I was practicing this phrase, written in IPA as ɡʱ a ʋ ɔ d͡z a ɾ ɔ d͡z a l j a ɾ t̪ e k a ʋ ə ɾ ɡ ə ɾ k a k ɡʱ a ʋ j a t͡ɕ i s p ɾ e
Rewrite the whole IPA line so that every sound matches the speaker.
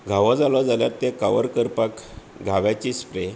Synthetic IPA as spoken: ɡʱ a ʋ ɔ d͡z a l ɔ d͡z a l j a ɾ t̪ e k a ʋ ə ɾ k ə ɾ p a k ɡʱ a ʋ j a t͡ɕ i s p ɾ e